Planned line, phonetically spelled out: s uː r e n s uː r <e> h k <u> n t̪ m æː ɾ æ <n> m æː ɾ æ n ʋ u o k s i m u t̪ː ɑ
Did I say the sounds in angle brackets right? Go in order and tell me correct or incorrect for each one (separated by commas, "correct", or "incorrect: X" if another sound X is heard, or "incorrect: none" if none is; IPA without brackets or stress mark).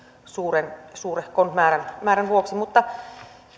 correct, incorrect: o, correct